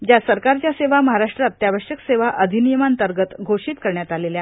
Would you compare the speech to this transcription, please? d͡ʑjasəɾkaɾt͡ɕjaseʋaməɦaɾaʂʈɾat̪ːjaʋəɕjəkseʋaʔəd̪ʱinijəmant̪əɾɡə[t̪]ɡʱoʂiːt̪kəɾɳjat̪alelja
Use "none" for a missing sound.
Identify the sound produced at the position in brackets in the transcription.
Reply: t̪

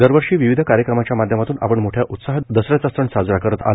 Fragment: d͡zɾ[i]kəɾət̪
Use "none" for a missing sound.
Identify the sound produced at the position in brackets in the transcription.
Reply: a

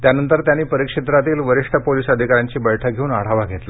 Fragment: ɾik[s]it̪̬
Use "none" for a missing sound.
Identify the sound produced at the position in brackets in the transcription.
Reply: ʂ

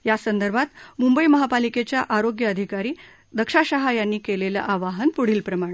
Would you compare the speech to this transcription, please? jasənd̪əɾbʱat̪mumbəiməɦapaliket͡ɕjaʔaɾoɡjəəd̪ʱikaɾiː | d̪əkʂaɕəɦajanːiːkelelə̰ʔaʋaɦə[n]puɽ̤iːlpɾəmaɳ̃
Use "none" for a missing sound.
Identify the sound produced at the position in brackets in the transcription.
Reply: n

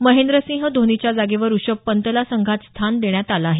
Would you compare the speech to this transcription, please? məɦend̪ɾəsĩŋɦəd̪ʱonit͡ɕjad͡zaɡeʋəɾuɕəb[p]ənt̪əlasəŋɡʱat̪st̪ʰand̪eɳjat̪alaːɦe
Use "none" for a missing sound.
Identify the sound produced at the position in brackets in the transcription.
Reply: p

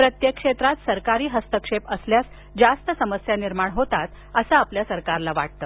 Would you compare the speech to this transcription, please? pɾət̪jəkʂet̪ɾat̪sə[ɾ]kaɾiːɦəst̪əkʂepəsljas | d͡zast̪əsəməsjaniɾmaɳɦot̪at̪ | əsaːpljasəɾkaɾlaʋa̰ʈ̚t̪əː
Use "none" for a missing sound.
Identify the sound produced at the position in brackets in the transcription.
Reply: ɾ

